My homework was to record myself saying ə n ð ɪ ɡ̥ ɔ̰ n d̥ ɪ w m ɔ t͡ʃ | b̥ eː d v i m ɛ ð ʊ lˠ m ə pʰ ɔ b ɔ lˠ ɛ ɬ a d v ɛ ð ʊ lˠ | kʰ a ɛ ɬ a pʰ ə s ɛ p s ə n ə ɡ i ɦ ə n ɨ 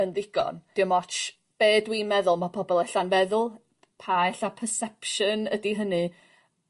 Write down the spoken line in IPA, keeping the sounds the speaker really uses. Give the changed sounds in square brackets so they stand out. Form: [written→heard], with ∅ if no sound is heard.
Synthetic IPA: ə n ð ɪ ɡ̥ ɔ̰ n d̥ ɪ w m ɔ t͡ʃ | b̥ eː d [v→w] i m ɛ ð ʊ lˠ m [ə→a] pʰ ɔ b ɔ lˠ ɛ ɬ a [d→n] v ɛ ð ʊ lˠ | [kʰ→pʰ] a ɛ ɬ a pʰ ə s ɛ p [s→ʃ] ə n ə [ɡ→d] i ɦ ə n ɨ